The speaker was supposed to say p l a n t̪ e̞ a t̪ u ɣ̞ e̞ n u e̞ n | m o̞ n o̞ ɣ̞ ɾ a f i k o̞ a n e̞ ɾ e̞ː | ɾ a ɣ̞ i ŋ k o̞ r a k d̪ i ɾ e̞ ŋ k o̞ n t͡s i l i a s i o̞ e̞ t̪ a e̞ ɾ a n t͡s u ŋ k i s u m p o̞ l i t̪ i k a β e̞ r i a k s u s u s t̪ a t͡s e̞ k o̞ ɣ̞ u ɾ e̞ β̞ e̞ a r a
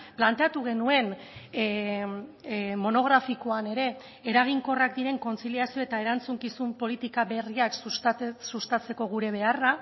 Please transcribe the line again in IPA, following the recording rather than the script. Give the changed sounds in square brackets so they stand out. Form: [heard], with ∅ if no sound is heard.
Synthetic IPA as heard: p l a n t̪ e̞ a t̪ u ɣ̞ e̞ n u e̞ n | m o̞ n o̞ ɣ̞ ɾ a f i k o̞ a n e̞ ɾ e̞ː | ɾ a ɣ̞ i ŋ k o̞ r a k d̪ i ɾ e̞ ŋ k o̞ n t͡s i l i a s i o̞ e̞ t̪ a e̞ ɾ a n t͡s u ŋ k i s u m p o̞ l i t̪ i k a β e̞ r i a k s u s u s t̪ a t͡s e̞ k o̞ ɣ̞ u ɾ e̞ β̞ e̞ a r a